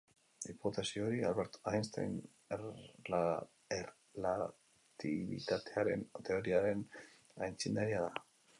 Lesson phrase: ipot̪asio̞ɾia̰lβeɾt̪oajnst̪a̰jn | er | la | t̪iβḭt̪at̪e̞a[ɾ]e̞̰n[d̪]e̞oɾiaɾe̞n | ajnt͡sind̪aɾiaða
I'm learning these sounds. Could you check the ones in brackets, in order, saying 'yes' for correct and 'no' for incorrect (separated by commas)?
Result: yes, no